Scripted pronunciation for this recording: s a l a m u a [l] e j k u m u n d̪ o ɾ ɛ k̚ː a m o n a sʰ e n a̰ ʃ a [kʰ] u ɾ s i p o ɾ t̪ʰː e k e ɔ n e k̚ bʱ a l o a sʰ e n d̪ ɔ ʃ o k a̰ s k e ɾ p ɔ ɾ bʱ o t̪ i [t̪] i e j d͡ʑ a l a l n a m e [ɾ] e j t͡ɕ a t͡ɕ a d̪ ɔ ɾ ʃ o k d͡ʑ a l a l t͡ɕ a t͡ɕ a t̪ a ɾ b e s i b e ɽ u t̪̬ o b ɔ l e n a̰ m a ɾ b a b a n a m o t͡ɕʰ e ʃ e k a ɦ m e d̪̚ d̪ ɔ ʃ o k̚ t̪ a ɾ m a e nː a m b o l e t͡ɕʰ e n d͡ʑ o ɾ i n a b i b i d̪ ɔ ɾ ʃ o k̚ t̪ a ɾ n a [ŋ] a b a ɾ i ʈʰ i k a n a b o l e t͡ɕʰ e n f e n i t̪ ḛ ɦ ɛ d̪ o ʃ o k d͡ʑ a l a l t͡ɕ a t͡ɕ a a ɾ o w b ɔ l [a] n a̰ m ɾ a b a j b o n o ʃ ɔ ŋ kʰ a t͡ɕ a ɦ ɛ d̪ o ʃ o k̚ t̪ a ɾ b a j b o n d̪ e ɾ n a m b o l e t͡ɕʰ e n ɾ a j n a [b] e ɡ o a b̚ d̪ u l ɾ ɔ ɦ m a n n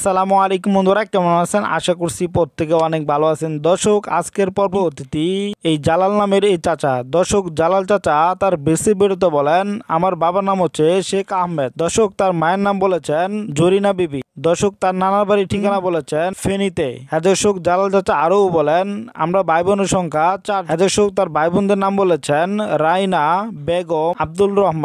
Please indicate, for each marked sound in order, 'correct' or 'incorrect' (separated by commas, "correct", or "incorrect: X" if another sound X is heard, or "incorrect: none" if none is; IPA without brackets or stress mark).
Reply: correct, incorrect: k, correct, correct, incorrect: n, incorrect: e, correct